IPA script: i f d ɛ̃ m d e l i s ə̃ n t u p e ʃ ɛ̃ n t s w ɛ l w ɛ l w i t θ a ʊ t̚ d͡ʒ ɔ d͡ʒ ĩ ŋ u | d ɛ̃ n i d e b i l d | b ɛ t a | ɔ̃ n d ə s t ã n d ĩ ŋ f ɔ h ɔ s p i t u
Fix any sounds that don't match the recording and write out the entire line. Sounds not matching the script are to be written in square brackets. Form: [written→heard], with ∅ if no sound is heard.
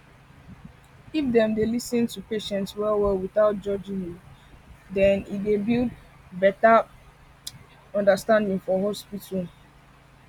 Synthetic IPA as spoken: i f d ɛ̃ m d e l i s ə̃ n t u p e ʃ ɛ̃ n t s w ɛ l w ɛ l w i [t→∅] θ a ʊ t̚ d͡ʒ ɔ d͡ʒ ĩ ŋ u | d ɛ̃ n i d e b i l d | b ɛ t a | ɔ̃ n d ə s t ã n d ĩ ŋ f ɔ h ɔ s p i t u